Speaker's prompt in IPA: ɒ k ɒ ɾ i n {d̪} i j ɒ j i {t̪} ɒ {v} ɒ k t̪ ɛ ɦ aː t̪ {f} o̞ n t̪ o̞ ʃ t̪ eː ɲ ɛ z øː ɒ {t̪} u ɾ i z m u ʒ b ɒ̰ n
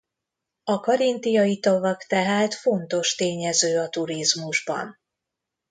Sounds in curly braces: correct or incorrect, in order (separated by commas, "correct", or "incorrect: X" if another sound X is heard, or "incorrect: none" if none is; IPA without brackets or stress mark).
incorrect: t̪, correct, correct, correct, correct